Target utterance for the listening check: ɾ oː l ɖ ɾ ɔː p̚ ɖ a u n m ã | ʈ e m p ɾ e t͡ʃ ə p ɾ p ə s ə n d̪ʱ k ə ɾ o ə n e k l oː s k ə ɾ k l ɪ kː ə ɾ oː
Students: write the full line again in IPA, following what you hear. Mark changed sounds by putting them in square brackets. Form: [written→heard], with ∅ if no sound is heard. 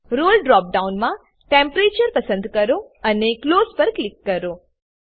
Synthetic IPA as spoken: ɾ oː l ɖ ɾ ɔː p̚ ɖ a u n m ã | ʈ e m p ɾ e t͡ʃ ə [p→∅] ɾ p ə s ə n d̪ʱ k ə ɾ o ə n e k l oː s [k→p] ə ɾ k l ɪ kː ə ɾ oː